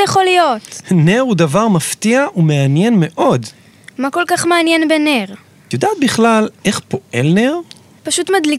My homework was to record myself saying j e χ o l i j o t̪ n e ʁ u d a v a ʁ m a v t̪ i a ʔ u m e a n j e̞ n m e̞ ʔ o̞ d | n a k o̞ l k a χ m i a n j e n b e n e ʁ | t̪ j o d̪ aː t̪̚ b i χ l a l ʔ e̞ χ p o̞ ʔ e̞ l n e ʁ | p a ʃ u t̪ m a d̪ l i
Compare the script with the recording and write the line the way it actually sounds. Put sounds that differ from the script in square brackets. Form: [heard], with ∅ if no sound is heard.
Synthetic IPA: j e χ o l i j o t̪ n e ʁ u d a v a ʁ m a [f] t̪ i a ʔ u m e a n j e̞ n m e̞ ʔ o̞ d | [m] a k o̞ l k a χ m [e] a n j e n b e n e ʁ | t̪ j o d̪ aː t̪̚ b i χ l a l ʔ e̞ χ p o̞ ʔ e̞ l n e ʁ | p a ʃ u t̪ m a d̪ l i